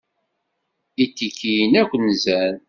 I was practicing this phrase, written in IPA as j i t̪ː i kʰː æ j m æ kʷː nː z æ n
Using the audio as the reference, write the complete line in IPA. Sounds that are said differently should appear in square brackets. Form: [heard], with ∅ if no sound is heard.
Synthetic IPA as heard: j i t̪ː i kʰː [i] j [n] æ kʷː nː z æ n